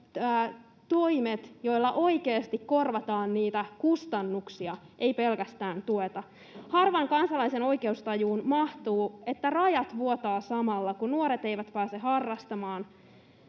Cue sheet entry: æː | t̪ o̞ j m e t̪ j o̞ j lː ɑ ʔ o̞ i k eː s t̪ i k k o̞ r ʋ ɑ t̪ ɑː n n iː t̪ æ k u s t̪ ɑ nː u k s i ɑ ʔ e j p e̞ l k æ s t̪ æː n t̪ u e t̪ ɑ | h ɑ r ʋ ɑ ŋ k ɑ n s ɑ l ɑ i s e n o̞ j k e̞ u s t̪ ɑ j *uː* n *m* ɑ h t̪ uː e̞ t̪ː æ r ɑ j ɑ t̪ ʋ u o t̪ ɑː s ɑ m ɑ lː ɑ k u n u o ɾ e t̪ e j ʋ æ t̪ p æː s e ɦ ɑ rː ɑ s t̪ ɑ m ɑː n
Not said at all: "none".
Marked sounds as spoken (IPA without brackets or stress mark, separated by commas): uː, m